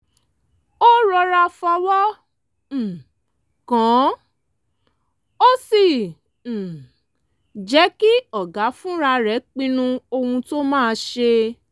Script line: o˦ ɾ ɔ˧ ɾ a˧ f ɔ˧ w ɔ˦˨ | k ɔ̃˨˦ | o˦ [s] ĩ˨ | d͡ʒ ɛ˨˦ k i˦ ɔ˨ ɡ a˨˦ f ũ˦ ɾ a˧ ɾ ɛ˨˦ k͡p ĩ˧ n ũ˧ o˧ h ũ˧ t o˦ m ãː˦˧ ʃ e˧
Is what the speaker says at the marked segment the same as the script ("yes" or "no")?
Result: yes